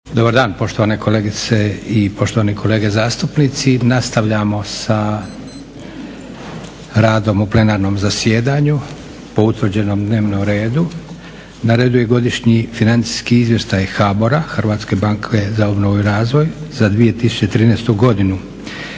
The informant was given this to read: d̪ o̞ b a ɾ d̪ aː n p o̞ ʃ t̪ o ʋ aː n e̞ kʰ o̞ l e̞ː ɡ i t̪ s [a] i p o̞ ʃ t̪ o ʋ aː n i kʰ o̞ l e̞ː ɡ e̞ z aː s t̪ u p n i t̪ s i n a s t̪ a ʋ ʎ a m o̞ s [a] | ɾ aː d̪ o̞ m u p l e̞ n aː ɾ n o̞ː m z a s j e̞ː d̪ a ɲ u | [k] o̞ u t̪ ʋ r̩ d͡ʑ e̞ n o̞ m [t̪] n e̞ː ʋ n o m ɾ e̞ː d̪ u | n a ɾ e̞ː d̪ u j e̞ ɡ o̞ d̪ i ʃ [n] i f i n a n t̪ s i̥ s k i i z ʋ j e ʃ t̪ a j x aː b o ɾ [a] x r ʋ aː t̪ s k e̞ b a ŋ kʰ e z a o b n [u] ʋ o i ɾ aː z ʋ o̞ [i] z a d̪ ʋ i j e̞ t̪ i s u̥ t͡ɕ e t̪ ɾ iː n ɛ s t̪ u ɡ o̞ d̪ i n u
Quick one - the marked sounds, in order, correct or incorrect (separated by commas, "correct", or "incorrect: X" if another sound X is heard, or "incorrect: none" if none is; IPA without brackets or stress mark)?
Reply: incorrect: e, correct, incorrect: p, incorrect: d̪, incorrect: ɲ, correct, incorrect: o, incorrect: j